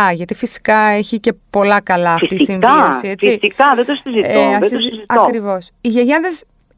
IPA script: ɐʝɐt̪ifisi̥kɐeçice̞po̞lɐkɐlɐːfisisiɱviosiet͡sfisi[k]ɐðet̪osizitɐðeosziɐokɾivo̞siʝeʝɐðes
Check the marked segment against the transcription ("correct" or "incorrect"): correct